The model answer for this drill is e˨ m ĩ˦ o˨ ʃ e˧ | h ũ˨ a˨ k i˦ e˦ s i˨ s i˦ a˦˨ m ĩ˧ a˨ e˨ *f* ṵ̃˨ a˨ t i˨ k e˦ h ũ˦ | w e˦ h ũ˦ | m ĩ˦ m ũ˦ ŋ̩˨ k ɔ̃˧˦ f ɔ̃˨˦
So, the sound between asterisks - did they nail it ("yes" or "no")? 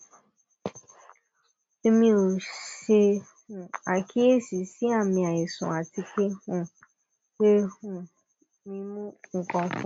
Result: no